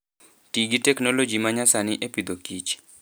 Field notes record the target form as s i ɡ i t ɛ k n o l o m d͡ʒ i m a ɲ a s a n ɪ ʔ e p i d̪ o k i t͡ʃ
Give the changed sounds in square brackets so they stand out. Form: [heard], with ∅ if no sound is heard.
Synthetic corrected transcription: [t] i ɡ i t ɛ k n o l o [∅] d͡ʒ i m a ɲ a s a n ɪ ʔ e p i d̪ o k i t͡ʃ